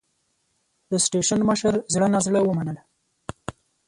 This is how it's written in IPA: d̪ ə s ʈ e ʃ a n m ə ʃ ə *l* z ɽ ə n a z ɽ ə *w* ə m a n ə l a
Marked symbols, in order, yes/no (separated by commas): no, yes